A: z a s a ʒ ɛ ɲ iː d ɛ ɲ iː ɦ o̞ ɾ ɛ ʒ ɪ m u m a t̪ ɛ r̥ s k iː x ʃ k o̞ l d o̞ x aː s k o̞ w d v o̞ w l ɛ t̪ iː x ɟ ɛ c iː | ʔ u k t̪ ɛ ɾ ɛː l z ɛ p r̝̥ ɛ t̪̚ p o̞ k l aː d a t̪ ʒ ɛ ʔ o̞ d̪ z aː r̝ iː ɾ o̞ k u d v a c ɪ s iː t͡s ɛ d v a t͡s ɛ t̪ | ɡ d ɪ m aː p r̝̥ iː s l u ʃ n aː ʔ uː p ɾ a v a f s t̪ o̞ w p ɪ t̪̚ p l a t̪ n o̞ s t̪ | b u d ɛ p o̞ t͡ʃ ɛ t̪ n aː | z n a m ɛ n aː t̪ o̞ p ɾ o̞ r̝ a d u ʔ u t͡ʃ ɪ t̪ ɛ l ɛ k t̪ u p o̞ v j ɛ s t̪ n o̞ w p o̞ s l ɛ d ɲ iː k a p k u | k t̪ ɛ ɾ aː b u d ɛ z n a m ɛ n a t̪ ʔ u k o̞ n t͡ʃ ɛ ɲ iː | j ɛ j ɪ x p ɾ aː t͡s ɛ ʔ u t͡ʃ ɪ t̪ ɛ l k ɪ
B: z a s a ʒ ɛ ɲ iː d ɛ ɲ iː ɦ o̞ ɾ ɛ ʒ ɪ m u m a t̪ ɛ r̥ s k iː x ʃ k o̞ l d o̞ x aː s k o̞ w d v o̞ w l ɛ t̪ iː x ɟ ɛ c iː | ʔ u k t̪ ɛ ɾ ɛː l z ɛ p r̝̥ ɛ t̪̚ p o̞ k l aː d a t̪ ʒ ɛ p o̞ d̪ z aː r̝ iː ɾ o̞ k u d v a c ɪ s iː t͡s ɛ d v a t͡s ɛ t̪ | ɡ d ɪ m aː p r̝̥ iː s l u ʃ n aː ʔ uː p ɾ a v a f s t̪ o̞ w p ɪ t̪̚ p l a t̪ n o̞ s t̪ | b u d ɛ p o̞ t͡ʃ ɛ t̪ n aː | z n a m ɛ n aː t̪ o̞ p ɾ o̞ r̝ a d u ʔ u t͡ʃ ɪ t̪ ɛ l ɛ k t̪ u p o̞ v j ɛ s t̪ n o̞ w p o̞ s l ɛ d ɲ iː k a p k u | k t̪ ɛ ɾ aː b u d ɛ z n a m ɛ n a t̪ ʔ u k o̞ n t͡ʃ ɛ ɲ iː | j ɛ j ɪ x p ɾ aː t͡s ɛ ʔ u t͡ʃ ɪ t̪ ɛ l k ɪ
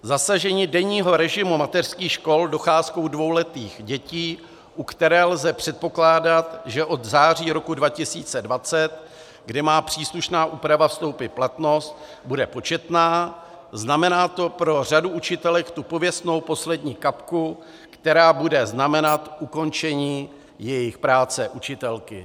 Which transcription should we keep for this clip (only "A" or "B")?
A